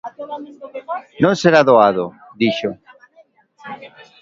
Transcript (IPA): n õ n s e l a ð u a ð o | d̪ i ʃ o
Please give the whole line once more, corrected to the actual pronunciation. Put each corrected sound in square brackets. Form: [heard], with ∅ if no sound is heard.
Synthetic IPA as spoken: n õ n s e [ɾ] a ð [o] a ð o | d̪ i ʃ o